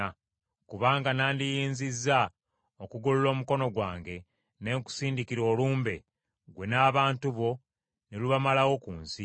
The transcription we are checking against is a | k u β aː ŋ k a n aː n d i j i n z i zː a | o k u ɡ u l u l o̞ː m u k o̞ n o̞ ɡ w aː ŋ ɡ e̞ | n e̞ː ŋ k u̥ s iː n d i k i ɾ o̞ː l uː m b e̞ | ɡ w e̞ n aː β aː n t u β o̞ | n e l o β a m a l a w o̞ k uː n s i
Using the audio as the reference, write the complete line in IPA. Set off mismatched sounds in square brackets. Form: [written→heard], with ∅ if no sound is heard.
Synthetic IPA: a | k u β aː ŋ [k→ɡ] a n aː n d i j [i→iː] n z i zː a | o k u ɡ u l u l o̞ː m u k o̞ n o̞ ɡ w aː ŋ ɡ e̞ | n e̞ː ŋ k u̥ s iː n d i k i ɾ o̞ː l uː m b e̞ | ɡ w e̞ n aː β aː n t u β o̞ | n e l [o→u] β a m a l a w o̞ k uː n s i